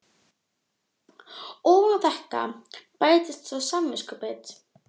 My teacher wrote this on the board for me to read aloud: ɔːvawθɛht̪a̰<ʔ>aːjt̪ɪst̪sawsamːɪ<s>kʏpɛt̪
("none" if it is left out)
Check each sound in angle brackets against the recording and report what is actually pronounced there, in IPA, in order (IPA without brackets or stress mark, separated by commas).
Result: p, s